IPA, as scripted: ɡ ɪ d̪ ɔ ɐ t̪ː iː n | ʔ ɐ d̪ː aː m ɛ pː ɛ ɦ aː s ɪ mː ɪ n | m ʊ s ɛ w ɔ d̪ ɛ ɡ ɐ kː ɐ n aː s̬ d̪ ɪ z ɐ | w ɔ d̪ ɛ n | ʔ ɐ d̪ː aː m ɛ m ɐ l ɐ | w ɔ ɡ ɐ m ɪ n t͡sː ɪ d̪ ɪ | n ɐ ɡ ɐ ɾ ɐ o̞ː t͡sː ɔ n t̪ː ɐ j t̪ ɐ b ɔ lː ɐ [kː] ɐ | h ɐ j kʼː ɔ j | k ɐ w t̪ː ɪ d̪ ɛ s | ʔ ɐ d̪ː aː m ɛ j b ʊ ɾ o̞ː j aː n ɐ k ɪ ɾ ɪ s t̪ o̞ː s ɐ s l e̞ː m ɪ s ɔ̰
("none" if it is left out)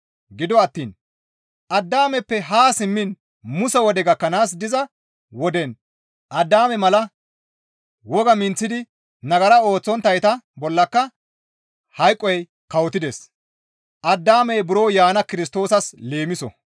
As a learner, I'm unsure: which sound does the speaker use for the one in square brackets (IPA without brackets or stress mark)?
kː